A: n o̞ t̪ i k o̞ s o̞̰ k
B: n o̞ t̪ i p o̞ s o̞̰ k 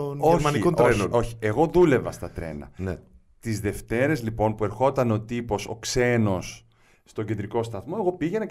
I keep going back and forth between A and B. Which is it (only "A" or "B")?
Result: B